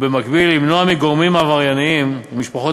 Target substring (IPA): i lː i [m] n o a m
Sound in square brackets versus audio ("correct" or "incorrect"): correct